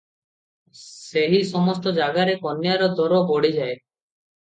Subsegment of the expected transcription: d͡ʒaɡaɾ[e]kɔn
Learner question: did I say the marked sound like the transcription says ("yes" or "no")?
yes